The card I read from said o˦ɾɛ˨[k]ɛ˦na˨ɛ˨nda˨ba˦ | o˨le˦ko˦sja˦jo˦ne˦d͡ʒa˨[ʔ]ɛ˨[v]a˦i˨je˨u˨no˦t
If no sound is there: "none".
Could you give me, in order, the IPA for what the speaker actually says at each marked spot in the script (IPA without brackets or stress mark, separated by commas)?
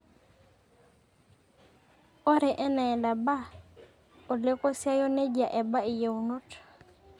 ʔ, ʔ, b